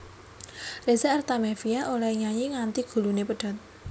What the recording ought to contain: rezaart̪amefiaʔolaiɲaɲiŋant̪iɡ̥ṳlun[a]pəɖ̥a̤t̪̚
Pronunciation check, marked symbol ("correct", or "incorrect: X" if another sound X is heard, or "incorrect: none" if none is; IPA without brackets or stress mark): incorrect: e